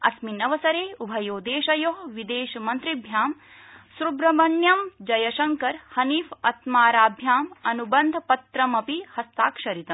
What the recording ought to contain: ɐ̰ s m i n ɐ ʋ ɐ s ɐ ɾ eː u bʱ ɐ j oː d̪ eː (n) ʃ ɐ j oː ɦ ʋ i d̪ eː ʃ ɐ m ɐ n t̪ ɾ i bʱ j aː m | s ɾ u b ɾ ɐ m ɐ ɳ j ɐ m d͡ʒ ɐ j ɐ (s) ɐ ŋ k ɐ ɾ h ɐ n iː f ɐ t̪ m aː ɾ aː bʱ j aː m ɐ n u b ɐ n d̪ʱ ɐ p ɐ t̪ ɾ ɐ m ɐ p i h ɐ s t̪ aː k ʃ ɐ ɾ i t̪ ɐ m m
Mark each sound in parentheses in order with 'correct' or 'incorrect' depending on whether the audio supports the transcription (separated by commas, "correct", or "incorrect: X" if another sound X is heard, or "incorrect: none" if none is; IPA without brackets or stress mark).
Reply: incorrect: none, incorrect: ʃ